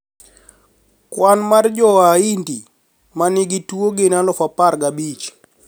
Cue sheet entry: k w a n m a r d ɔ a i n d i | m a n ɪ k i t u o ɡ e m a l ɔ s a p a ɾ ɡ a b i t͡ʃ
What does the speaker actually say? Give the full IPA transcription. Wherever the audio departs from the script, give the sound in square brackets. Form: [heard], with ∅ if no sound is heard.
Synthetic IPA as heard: k w a n m a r [d͡ʒ] ɔ a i n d i | m a n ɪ [ɡ] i t u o ɡ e [n] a l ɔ [f] a p a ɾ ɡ a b i t͡ʃ